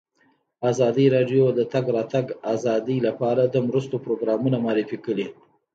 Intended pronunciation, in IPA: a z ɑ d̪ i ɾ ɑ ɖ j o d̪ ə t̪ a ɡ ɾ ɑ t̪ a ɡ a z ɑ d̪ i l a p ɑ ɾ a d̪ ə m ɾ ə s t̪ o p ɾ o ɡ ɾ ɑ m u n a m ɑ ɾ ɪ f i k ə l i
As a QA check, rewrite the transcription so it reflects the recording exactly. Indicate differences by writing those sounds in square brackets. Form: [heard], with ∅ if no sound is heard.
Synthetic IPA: a z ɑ d̪ i ɾ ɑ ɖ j o d̪ ə t̪ a ɡ ɾ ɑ t̪ a ɡ a z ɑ d̪ i l a p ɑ ɾ a d̪ ə m ɾ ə s t̪ o p ɾ o ɡ ɾ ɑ m u n a m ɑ ɾ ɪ f i k ə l i